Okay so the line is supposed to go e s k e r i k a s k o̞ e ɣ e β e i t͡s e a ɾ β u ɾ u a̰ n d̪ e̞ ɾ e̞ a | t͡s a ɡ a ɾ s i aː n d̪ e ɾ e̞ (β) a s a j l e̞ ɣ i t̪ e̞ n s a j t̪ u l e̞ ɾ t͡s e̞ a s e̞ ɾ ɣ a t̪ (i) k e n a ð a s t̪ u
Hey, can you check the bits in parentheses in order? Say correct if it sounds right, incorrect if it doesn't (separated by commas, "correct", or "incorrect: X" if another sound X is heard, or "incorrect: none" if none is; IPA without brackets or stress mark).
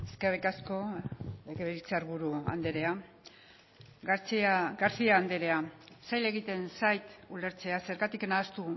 incorrect: none, correct